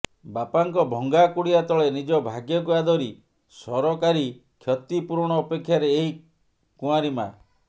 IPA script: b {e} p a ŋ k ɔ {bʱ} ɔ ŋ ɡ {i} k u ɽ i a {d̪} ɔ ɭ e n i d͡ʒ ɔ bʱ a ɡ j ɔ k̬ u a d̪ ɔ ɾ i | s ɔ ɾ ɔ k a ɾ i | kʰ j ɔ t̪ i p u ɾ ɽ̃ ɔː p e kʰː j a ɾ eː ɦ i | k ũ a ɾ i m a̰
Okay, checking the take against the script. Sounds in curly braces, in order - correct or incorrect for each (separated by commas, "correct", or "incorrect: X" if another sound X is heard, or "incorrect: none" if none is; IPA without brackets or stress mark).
incorrect: a, correct, incorrect: a, incorrect: t̪